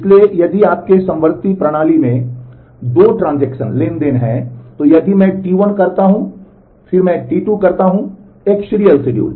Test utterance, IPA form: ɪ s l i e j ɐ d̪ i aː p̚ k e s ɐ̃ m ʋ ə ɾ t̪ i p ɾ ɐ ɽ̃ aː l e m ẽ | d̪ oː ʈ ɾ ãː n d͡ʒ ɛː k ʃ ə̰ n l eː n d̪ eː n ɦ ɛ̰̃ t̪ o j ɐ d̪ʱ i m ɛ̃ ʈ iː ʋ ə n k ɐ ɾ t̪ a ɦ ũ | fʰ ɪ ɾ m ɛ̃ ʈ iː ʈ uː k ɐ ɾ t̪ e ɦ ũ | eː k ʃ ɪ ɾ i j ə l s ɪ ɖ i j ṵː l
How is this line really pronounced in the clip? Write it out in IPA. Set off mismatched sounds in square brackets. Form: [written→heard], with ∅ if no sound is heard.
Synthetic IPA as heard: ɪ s l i e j ɐ d̪ i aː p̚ k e s ɐ̃ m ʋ ə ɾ t̪ i p ɾ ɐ ɽ̃ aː l [e→i] m ẽ | d̪ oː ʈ ɾ ãː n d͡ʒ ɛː k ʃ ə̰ n l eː n d̪ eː n ɦ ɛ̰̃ t̪ o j ɐ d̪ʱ i m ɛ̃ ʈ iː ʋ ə n k ɐ ɾ t̪ a ɦ ũ | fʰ ɪ ɾ m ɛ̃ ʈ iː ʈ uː k ɐ ɾ t̪ [e→a] ɦ ũ | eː k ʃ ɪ ɾ i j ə l s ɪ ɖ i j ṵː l